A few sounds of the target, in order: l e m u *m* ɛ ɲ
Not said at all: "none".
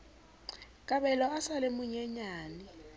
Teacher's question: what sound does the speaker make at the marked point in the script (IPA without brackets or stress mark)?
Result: ɲ